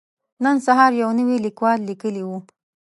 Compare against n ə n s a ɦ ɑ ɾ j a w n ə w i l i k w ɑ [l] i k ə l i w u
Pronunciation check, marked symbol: incorrect: lː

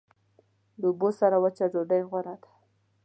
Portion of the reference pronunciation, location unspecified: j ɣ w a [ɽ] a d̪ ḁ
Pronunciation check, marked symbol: incorrect: ɾ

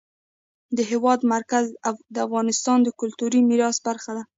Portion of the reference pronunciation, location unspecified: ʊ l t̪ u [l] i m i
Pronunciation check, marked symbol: incorrect: ɾ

